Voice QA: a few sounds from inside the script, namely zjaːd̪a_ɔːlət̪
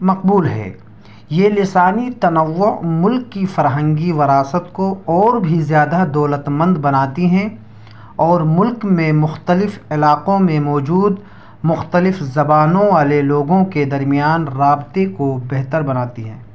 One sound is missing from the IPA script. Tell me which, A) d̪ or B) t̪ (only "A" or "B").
A